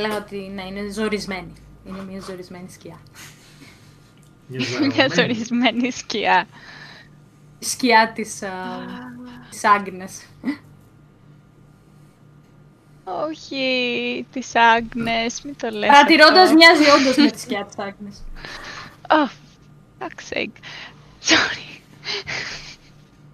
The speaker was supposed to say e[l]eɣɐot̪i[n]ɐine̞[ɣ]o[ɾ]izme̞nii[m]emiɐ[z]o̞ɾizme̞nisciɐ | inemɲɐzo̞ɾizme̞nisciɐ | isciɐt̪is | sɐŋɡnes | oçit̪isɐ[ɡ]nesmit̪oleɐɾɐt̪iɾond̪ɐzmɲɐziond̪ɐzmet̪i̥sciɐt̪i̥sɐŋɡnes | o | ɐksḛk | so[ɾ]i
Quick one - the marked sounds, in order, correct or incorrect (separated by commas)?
correct, correct, incorrect, correct, incorrect, correct, correct, correct